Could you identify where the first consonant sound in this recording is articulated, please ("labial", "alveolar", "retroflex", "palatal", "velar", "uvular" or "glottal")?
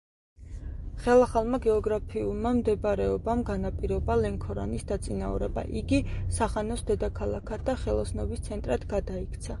uvular